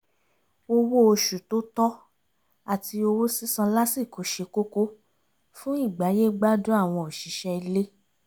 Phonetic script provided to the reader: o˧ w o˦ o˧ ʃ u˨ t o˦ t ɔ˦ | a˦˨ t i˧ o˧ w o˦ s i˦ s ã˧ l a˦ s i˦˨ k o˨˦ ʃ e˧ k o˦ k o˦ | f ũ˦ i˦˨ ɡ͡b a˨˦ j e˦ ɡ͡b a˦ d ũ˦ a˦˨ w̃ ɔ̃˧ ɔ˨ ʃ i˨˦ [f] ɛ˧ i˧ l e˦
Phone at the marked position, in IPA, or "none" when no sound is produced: ʃ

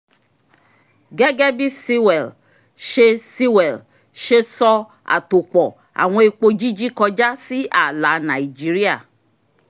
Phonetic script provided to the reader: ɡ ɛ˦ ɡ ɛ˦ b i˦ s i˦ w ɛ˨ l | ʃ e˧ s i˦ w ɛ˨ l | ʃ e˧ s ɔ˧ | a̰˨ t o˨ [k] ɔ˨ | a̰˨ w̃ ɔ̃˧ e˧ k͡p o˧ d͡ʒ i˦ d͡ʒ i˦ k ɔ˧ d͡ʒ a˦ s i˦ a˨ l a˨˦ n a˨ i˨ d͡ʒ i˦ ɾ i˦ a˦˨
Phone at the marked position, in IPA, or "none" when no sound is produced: k͡p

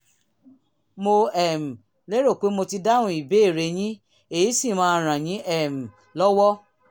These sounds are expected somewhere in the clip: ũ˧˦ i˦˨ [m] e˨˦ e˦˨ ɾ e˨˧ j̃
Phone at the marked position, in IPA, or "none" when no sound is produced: b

